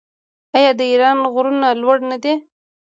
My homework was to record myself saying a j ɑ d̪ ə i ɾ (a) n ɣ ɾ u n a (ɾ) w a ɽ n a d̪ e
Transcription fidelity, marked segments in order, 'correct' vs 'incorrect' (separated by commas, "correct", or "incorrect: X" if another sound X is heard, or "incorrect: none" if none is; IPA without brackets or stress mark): incorrect: ɑ, incorrect: l